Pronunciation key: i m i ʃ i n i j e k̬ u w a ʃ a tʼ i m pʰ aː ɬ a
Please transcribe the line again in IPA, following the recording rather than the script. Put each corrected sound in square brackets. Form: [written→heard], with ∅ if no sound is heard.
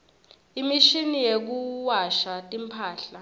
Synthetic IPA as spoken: i m i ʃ i n i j e k̬ u w a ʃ a tʼ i m pʰ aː ɬ a